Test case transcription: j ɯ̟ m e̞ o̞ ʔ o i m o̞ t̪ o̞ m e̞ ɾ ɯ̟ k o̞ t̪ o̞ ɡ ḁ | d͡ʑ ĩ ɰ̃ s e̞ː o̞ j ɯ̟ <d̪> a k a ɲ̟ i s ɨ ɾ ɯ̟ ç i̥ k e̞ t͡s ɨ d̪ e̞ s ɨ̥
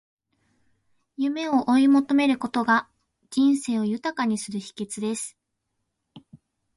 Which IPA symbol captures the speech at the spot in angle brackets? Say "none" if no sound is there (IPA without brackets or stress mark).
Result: t̪